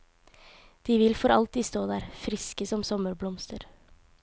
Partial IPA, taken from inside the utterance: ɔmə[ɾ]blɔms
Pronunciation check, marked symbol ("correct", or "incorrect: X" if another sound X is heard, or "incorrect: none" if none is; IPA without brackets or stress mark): correct